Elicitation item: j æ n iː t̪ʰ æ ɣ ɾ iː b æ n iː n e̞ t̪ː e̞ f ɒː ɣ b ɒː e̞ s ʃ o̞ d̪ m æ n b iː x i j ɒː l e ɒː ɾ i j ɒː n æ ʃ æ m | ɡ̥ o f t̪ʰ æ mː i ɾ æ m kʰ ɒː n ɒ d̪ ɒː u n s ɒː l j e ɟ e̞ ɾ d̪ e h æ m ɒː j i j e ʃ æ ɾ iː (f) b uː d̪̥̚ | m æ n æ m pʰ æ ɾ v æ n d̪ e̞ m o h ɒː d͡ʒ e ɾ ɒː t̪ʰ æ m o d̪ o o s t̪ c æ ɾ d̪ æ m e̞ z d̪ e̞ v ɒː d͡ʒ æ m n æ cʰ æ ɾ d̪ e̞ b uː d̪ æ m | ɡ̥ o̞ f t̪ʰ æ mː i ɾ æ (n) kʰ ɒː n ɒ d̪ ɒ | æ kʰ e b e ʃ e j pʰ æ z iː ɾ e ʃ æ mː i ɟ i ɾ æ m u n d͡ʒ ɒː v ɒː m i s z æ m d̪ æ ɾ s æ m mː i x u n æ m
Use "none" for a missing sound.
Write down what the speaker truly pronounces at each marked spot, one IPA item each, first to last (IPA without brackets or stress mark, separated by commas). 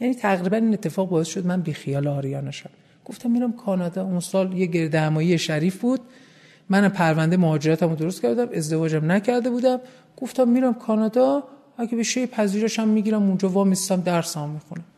f, m